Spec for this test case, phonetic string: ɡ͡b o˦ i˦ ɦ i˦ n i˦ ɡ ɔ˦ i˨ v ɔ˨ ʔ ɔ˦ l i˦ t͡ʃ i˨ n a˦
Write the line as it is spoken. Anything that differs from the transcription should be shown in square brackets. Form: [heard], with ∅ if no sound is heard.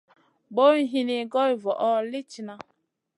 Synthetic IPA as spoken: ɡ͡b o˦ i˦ ɦ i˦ n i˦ ɡ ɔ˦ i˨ v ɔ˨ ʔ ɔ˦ l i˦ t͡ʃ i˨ n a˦

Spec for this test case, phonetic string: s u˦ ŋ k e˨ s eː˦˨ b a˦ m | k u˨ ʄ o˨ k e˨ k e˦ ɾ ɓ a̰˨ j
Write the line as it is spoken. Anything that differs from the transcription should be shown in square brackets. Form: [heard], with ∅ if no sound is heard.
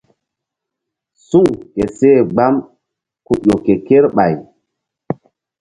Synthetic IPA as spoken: s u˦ ŋ k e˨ s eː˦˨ [ɡ͡b] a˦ m | k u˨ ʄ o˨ k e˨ k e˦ ɾ ɓ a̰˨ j

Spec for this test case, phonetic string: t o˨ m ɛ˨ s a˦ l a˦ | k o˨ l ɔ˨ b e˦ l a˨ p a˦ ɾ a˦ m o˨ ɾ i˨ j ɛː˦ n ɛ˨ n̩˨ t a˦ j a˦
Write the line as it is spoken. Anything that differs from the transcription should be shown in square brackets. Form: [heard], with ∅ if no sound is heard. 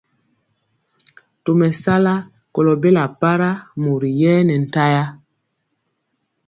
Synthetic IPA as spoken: t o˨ m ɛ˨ s a˦ l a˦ | k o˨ l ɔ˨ b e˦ l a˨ p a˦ ɾ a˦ m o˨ ɾ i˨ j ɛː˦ n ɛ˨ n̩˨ t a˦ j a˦

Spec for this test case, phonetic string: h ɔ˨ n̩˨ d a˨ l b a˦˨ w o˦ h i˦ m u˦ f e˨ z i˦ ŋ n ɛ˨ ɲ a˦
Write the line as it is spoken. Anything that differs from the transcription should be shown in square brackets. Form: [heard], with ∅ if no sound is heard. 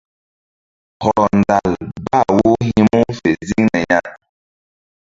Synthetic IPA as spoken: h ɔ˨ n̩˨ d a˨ l b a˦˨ w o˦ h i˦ m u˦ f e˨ z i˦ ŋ n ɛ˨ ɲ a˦

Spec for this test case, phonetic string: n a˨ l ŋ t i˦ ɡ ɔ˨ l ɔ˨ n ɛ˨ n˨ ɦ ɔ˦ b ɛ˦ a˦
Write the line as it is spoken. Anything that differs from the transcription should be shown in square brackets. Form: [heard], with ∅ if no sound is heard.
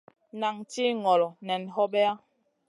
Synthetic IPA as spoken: n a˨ [∅] ŋ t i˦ [ŋ] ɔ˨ l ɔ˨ n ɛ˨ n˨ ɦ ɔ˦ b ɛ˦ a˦

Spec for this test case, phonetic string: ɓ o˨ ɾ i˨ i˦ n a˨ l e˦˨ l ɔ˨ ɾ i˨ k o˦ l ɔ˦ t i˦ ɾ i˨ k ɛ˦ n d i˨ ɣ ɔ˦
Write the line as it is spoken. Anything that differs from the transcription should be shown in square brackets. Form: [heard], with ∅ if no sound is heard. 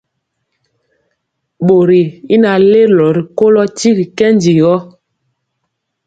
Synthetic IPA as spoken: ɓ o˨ ɾ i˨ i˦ n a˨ l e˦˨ l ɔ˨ ɾ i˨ k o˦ l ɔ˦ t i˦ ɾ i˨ k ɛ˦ n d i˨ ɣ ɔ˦

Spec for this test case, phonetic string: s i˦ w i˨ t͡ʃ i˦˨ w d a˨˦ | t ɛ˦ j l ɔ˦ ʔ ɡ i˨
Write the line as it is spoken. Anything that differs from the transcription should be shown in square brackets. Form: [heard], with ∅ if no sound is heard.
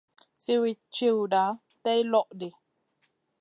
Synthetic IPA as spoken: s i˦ w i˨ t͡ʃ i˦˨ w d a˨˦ | t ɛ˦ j l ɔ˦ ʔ [d] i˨

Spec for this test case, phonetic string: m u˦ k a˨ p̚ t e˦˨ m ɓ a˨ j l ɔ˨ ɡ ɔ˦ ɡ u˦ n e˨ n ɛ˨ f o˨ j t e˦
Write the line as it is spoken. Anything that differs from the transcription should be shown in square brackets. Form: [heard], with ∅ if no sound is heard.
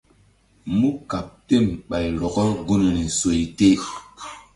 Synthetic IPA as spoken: m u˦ k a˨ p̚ t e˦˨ m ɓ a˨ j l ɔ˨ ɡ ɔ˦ ɡ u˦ n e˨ n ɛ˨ [s] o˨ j t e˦

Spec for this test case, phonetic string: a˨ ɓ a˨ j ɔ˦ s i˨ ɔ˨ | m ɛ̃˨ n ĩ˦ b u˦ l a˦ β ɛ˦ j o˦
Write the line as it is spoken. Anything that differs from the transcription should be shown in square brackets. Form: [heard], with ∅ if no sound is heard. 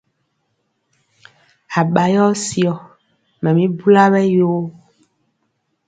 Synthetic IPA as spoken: a˨ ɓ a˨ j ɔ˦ s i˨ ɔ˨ | m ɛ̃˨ [m] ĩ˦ b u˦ l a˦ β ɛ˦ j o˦

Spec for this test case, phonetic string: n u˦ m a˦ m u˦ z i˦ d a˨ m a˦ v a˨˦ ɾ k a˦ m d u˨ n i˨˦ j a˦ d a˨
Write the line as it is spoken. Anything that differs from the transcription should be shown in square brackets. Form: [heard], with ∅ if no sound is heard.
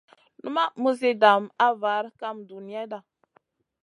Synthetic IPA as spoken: n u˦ m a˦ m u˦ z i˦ d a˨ m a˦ v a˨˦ ɾ k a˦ m d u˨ n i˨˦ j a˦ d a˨

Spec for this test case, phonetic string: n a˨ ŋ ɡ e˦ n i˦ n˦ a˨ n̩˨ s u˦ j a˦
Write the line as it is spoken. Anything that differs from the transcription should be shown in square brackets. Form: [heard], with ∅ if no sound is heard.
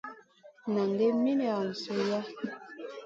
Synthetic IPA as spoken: n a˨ ŋ ɡ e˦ [m] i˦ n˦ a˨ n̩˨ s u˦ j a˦

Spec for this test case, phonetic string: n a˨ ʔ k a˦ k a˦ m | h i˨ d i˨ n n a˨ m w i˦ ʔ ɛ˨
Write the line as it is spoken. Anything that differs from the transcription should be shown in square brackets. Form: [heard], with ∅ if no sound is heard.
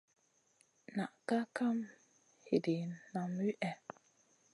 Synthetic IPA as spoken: n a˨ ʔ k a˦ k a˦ m | h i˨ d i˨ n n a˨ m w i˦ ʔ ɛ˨

